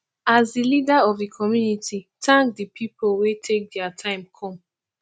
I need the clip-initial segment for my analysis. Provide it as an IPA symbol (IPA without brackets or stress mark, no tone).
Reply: a